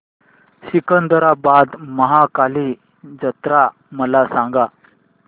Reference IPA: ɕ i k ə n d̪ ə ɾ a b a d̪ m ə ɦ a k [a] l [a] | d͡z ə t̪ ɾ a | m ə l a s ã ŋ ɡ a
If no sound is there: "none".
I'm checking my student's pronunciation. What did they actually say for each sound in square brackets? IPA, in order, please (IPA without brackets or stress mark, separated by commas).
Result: a, i